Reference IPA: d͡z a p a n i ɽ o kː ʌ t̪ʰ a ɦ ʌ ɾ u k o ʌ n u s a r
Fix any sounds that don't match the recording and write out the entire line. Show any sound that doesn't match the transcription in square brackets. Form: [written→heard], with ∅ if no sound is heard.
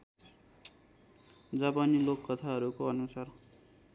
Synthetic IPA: d͡z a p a n i [ɽ→l] o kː ʌ t̪ʰ a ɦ ʌ ɾ u k o ʌ n u s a r